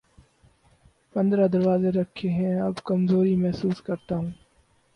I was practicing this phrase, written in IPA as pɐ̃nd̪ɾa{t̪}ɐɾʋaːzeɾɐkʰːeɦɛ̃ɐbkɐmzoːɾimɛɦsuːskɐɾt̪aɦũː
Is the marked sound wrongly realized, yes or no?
yes